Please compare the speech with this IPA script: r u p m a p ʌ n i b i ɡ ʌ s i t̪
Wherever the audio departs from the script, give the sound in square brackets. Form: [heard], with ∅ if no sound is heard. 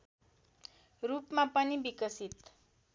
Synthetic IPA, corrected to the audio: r u p m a p ʌ n i b i [k] ʌ s i t̪